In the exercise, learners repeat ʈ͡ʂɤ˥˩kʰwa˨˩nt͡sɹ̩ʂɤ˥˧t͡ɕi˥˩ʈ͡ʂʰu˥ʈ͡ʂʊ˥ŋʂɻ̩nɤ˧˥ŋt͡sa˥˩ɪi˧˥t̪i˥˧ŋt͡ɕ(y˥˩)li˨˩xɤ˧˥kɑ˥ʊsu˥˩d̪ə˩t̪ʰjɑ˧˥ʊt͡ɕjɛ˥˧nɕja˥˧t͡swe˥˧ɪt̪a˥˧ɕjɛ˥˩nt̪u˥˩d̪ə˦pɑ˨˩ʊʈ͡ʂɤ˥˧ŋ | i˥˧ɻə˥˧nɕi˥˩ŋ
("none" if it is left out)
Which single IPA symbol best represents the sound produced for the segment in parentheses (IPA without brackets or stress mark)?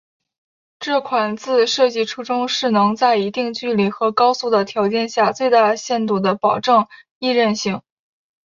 y˥˩